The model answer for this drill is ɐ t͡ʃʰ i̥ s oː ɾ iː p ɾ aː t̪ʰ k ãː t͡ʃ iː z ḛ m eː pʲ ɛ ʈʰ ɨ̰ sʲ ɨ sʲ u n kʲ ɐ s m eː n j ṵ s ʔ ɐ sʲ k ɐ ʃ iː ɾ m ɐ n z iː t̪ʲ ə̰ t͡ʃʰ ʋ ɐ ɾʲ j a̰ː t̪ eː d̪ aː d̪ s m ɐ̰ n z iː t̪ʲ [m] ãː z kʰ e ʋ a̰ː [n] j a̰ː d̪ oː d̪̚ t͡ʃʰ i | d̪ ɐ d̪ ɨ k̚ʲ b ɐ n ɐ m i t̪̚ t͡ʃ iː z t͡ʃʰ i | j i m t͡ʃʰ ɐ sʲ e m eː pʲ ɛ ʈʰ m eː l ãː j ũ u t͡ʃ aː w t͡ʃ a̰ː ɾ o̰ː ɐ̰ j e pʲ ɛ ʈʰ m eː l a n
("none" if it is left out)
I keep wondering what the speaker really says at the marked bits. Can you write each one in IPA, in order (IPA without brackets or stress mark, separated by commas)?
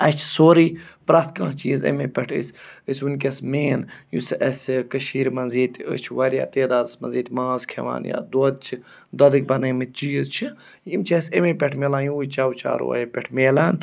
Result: m, n